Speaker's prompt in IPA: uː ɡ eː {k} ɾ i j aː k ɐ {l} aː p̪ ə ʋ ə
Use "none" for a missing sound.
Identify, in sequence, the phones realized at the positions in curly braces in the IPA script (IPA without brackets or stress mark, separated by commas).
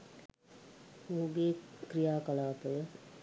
k, l